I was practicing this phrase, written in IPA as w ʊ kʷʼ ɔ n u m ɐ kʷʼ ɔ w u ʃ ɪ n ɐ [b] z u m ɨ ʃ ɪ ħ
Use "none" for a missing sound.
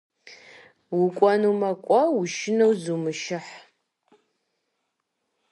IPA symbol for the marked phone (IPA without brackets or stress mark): w